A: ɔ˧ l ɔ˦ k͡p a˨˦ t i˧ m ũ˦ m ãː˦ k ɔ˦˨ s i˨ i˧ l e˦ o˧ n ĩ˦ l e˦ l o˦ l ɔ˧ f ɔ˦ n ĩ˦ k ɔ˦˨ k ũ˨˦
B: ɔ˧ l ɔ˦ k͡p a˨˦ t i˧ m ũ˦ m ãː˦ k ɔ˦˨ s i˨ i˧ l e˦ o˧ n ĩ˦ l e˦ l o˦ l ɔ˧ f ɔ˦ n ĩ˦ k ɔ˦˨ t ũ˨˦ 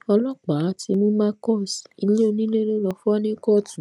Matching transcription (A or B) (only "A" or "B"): B